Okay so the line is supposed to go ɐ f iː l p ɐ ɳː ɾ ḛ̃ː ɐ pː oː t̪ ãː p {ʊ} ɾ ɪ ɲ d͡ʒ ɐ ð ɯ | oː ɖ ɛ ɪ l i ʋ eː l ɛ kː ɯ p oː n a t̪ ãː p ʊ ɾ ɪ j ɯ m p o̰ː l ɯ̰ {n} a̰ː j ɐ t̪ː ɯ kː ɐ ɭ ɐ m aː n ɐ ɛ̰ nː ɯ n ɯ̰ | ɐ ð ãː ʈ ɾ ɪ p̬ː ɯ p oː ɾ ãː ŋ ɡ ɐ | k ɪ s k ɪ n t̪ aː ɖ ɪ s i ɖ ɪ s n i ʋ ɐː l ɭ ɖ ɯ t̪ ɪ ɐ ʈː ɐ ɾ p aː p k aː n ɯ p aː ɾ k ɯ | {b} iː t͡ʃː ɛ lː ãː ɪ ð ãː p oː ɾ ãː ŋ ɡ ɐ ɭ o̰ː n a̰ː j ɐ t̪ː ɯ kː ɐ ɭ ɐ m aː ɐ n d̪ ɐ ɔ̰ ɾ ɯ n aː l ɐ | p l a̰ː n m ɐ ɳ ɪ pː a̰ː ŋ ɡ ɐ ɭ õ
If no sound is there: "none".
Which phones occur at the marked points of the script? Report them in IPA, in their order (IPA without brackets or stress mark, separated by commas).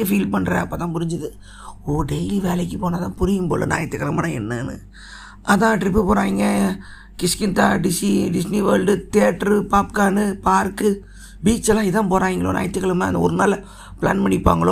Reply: ʊ, n, b